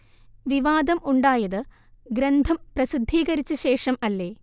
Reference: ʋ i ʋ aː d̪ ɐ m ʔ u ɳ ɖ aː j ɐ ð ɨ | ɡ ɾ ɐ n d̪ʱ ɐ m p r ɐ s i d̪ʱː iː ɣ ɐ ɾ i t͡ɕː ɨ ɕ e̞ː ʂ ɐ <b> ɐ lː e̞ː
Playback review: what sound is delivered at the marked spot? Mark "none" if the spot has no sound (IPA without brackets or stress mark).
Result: m